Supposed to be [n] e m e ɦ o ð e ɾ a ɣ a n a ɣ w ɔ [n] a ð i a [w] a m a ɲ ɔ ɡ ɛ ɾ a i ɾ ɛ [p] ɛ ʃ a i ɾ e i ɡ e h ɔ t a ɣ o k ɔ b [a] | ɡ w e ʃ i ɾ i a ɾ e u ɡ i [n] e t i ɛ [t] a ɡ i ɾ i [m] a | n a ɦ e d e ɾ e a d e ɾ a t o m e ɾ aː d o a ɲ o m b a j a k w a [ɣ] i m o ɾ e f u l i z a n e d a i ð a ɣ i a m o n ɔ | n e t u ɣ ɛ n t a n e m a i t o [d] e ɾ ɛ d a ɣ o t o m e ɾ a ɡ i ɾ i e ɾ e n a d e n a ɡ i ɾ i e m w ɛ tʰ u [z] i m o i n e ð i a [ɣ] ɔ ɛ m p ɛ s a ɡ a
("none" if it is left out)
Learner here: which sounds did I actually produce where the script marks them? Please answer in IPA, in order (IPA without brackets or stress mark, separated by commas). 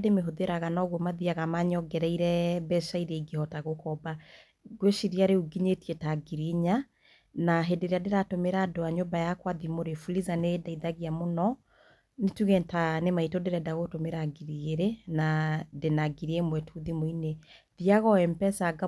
d, m, ɣ, b, a, ɲ, t, ɲ, ð, d, ð, ɣ